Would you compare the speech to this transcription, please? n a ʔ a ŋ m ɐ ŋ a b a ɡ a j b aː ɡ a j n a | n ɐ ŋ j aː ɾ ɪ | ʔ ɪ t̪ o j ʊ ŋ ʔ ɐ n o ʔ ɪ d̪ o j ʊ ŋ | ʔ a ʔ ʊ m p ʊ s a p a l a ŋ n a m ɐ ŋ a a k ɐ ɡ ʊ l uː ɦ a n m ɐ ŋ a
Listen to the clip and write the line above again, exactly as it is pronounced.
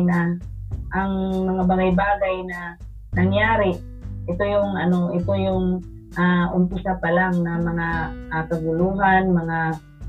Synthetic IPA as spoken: n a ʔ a ŋ m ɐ ŋ a b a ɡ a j b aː ɡ a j n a | n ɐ ŋ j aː ɾ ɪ | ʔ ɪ t̪ o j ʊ ŋ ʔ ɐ n o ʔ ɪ t̪ o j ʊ ŋ | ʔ a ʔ ʊ m p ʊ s a p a l a ŋ n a m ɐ ŋ a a k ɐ ɡ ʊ l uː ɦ a n m ɐ ŋ a